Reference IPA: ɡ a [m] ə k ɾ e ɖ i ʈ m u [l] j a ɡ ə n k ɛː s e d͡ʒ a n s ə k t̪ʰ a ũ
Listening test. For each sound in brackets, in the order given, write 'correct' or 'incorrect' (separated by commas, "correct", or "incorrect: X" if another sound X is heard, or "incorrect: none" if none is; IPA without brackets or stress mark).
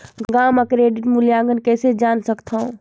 correct, correct